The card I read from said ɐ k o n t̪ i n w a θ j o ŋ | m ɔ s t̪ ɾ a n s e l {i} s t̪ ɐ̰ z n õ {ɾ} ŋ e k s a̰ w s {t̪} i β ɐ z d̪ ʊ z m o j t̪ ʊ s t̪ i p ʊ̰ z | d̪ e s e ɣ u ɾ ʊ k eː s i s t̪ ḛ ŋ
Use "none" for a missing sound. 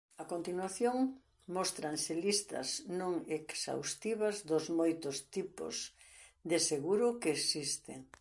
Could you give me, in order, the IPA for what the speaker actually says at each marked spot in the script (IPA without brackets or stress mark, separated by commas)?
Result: i, none, t̪